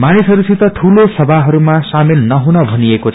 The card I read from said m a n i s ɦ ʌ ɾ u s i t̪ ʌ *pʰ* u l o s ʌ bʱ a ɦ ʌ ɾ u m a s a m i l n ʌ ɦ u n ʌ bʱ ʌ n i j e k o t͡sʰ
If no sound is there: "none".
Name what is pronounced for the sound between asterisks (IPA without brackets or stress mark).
ʈʰ